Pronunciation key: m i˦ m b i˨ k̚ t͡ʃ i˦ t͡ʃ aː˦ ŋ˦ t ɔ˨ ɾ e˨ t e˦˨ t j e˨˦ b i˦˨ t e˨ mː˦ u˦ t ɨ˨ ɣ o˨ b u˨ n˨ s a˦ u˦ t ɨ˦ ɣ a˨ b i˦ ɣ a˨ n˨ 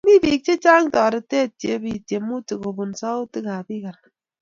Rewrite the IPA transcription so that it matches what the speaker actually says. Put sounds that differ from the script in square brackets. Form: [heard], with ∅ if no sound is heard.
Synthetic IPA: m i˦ [∅] b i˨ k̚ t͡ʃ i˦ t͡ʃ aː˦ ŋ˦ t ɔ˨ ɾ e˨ t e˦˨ t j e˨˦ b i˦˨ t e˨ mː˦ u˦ t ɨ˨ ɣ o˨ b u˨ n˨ s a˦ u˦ t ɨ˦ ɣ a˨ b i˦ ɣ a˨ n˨